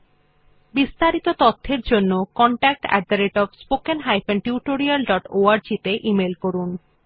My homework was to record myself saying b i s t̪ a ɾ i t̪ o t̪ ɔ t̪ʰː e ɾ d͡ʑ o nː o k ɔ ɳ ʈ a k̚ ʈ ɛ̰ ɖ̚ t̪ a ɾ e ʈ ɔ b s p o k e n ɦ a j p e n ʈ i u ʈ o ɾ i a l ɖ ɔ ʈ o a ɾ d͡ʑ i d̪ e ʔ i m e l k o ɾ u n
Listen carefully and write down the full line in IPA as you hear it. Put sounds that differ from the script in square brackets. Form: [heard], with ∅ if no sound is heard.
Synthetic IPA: b i s t̪ a ɾ i t̪ o t̪ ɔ t̪ʰː e ɾ d͡ʑ o nː o k ɔ ɳ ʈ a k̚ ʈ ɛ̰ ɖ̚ [d̪] a ɾ e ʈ ɔ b s p o k e n ɦ a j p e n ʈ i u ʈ o ɾ i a l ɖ ɔ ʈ o a ɾ d͡ʑ i [t̪] e ʔ i m e l k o ɾ u n